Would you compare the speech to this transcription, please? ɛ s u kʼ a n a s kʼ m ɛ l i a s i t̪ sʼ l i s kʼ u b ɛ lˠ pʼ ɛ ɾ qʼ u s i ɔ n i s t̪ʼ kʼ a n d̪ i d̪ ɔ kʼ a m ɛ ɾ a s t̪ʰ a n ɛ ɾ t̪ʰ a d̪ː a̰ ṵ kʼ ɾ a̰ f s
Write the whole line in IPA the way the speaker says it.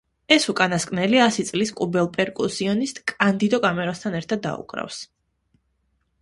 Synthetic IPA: ɛ s u kʼ a n a s kʼ n ɛ l i a s i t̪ sʼ l i s kʼ u b ɛ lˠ pʼ ɛ ɾ kʼ u s i ɔ n i s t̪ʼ kʼ a n d̪ i d̪ ɔ kʼ a m ɛ ɾ a s t̪ʰ a n ɛ ɾ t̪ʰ a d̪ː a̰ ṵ kʼ ɾ a̰ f s